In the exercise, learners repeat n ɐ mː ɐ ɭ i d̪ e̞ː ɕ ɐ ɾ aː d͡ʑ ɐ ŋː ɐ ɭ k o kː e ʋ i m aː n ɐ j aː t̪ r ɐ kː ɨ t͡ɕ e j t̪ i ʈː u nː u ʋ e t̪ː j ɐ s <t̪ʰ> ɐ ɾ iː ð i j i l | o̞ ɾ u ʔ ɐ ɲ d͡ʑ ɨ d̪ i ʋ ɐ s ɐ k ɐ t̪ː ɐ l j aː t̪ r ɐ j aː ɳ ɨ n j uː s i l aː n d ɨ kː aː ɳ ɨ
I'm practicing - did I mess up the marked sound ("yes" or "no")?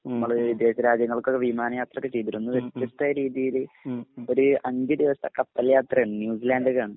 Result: yes